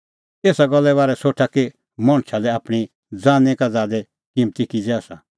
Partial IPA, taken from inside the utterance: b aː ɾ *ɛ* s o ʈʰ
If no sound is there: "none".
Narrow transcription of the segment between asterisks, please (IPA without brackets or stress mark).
ɛ